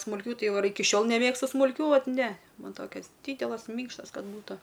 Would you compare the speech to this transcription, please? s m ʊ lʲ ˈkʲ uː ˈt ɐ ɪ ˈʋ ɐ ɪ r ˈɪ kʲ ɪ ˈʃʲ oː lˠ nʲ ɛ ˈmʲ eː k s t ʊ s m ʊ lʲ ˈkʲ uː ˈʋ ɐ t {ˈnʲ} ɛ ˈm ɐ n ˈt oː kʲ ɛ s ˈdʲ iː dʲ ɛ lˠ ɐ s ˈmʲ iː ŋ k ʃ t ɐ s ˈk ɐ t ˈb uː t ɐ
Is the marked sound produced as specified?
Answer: yes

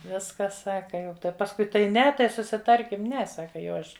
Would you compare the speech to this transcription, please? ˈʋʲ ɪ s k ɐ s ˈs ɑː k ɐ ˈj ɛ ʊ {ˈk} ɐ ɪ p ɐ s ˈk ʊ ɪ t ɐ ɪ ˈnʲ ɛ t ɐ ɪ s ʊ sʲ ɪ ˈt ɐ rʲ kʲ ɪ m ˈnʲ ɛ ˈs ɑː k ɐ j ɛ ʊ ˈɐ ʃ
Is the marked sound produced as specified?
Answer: no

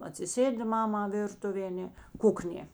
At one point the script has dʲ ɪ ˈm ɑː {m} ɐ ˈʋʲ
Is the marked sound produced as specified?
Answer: yes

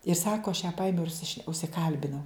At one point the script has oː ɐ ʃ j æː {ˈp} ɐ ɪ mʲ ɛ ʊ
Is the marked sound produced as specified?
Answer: yes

